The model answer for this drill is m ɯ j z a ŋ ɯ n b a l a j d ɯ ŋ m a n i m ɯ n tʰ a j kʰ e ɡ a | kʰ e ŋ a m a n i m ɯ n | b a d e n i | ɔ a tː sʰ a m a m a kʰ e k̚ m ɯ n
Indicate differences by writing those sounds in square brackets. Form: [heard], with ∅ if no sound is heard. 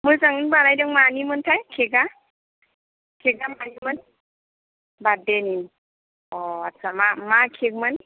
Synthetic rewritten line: m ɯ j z a ŋ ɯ n b a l a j d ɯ ŋ m a n i m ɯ n tʰ a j kʰ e ɡ a | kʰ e [ɡ] a m a n i m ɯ n | b a d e n i | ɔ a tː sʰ a m a m a kʰ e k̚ m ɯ n